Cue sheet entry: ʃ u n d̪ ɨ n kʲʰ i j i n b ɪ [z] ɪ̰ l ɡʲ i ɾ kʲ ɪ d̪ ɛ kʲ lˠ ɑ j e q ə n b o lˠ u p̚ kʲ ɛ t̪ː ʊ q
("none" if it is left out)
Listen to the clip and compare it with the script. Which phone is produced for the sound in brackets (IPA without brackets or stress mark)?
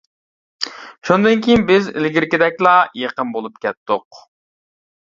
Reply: z